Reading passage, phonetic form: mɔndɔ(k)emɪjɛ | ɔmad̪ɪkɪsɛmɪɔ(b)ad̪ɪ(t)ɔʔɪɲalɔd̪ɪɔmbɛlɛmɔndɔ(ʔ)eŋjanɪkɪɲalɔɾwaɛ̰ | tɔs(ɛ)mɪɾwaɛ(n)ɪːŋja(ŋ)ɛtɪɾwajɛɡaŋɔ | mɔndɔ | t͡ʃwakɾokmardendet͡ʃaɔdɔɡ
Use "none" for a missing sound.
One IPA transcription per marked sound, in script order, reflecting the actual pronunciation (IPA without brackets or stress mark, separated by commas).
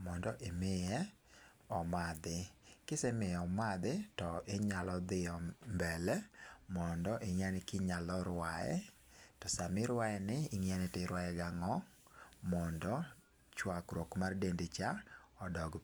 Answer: ʔ, m, t, ʔ, a, n, n